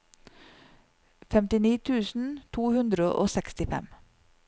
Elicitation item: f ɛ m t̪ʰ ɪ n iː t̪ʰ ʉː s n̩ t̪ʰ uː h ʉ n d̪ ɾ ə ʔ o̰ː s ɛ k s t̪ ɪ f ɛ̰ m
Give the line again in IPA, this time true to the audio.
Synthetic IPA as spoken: f ɛ m t̪ ɪ n iː t̪ʰ ʉː s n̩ t̪ʰ uː h ʉ n d̪ ɾ ə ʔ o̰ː s ɛ k s t̪ ɪ f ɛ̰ m